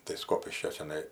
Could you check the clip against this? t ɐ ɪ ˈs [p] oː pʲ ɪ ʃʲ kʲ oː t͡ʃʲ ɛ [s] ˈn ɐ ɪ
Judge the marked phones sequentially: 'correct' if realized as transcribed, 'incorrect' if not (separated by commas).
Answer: incorrect, incorrect